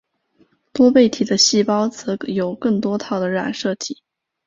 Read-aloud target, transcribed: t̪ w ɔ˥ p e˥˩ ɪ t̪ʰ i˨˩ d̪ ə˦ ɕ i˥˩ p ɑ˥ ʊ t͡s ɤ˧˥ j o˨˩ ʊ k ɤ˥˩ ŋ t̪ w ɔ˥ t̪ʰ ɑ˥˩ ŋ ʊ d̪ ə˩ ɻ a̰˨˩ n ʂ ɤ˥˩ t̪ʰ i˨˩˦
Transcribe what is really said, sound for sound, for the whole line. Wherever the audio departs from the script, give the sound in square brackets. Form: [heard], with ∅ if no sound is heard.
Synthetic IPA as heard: t̪ w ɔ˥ p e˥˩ ɪ t̪ʰ i˨˩ d̪ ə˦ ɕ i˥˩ p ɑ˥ ʊ t͡s ɤ˧˥ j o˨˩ ʊ k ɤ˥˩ ŋ t̪ w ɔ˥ t̪ʰ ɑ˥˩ [∅] ʊ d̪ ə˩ ɻ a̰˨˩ n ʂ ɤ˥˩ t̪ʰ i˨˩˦